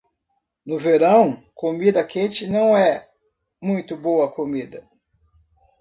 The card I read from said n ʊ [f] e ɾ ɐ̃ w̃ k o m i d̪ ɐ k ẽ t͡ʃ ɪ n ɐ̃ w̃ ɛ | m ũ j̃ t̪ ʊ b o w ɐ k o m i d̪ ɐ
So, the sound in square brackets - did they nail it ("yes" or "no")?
no